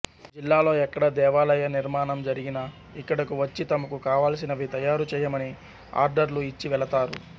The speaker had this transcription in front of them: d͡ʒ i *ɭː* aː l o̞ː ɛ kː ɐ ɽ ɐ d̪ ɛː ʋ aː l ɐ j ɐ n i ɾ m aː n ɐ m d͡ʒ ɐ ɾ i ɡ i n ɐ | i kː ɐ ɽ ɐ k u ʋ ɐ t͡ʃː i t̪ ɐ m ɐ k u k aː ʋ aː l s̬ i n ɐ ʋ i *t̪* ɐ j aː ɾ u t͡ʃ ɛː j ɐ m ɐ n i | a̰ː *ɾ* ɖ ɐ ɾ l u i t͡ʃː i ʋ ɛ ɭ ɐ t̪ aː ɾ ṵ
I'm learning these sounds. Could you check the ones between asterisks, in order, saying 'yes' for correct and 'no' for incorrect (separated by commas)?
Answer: no, yes, yes